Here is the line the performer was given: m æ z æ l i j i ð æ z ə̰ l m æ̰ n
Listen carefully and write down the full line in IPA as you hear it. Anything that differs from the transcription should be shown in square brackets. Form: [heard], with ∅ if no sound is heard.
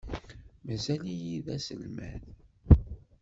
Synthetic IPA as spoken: m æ z æ l i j i ð æ [s] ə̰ l m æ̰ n